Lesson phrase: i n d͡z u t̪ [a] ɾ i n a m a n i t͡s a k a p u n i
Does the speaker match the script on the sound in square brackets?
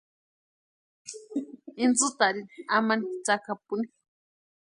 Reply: yes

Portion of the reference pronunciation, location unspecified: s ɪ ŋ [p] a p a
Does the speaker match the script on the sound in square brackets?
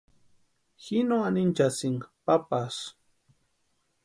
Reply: yes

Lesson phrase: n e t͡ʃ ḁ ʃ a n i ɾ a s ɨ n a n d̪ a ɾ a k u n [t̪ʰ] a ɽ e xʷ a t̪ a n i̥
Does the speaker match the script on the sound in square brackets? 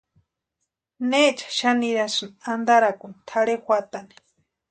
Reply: yes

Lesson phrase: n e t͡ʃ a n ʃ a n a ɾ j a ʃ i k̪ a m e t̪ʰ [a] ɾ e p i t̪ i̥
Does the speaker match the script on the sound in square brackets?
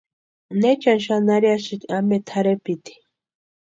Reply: yes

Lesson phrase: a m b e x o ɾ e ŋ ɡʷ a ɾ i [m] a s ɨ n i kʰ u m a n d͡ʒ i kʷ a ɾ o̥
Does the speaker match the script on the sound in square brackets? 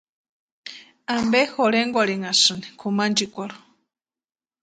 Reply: no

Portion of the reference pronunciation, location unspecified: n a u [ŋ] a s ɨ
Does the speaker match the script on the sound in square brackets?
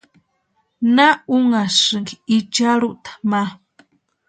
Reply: yes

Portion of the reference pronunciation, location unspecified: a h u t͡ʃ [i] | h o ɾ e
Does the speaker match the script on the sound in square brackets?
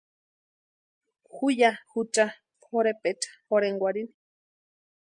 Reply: no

